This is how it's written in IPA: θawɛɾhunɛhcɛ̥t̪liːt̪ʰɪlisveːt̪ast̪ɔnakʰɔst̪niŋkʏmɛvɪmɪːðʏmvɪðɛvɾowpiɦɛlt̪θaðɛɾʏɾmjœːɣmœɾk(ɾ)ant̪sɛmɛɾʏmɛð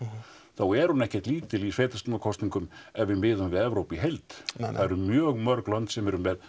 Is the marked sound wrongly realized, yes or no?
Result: yes